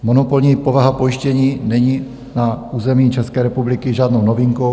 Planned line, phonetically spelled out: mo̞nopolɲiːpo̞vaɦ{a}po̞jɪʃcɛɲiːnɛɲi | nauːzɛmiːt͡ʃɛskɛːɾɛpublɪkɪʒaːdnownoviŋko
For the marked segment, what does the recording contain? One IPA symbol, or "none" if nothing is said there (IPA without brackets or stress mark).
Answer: a